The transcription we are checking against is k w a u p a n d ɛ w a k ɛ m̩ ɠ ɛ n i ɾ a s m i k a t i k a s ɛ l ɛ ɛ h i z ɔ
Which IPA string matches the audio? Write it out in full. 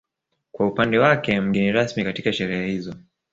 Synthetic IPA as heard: k w a u p a n d ɛ w a k ɛ m̩ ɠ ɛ n i ɾ a s m i k a t i k a ʃ ɛ ɾ ɛ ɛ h i z ɔ